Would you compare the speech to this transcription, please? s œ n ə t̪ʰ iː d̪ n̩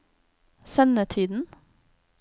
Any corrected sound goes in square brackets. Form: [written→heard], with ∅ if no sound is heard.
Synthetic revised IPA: s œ n ə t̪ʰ iː d̪ n̩